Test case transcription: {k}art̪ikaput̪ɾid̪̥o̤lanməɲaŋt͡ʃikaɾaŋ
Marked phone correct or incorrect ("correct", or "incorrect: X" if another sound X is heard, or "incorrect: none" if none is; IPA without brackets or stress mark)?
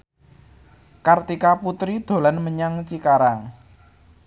correct